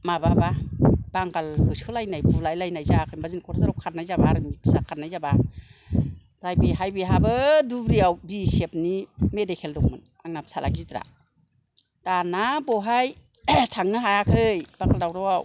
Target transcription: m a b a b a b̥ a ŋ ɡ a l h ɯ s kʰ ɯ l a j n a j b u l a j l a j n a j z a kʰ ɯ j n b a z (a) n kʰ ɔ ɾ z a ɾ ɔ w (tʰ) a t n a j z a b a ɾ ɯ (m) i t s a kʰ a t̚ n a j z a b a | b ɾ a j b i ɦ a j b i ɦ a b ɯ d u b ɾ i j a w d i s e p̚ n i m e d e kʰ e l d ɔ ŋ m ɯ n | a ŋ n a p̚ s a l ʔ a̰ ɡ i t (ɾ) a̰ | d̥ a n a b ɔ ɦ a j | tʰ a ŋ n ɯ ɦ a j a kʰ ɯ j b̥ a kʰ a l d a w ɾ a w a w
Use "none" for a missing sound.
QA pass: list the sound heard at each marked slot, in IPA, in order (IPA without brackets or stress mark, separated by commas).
i, kʰ, m, ɾ